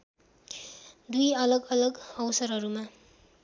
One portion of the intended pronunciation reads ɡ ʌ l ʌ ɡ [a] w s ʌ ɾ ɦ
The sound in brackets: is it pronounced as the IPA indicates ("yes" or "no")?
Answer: no